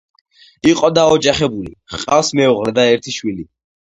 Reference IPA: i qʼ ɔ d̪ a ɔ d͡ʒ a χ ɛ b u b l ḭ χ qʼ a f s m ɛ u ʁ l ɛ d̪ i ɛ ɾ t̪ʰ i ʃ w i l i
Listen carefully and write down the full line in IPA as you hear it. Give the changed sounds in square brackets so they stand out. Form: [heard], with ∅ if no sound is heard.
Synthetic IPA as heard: i qʼ ɔ d̪ a ɔ d͡ʒ a χ ɛ b u [∅] l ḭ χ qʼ a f s m ɛ u ʁ l ɛ d̪ [a] ɛ ɾ t̪ʰ i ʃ w i l i